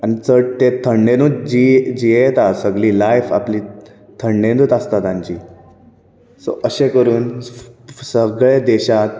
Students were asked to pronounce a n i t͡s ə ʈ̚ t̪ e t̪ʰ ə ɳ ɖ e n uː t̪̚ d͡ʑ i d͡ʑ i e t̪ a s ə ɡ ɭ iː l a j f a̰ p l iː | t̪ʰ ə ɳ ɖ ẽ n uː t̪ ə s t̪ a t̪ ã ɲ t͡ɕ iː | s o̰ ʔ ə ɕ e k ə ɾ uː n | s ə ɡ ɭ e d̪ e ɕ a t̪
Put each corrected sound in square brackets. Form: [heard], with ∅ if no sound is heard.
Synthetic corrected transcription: a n i t͡s ə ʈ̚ t̪ e t̪ʰ ə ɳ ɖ e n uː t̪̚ d͡ʑ i d͡ʑ i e t̪ a s ə ɡ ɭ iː l a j f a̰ p l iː | t̪ʰ ə ɳ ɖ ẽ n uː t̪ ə s t̪ a t̪ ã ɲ t͡ɕ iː | s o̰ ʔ ə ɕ e k ə ɾ uː n | s ə ɡ ɭ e d̪ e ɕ a t̪

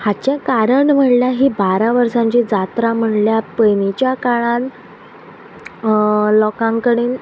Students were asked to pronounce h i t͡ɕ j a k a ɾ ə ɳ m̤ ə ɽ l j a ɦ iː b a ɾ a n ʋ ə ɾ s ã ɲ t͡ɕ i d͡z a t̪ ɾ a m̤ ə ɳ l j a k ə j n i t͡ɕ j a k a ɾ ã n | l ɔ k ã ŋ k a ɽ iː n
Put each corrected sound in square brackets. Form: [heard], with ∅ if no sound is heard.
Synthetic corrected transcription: h [a] t͡ɕ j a k a ɾ ə ɳ m̤ ə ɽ l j a ɦ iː b a ɾ a [∅] ʋ ə ɾ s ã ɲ t͡ɕ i d͡z a t̪ ɾ a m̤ ə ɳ l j a [p] ə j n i t͡ɕ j a k a [ɭ] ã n | l ɔ k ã ŋ k [ə] ɽ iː n

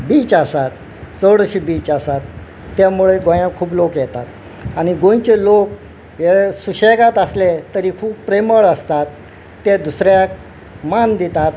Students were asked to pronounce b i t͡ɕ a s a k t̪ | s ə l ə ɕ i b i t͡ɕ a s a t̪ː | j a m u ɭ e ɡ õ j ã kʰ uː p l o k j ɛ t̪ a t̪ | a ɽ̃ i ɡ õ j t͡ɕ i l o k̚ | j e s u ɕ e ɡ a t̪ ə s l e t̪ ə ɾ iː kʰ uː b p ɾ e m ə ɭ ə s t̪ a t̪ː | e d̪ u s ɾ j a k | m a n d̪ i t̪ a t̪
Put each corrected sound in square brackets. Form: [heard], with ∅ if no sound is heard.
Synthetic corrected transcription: b i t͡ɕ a s a [∅] t̪ | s ə [ɽ] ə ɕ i b i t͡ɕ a s a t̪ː | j a m u ɭ e ɡ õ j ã kʰ uː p l o k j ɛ t̪ a t̪ | a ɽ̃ i ɡ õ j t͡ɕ [e] l o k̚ | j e s u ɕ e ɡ a t̪ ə s l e t̪ ə ɾ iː kʰ uː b p ɾ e m ə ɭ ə s t̪ a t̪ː | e d̪ u s ɾ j a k | m a n d̪ i t̪ a t̪

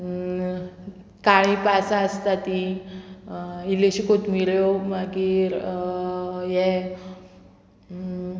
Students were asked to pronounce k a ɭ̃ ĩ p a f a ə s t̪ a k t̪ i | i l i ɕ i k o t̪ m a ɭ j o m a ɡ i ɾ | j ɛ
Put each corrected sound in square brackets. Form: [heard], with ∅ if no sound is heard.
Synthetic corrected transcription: k a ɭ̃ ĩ p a [s] a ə s t̪ a [∅] t̪ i | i l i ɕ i k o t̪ m [i] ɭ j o m a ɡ i ɾ | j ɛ

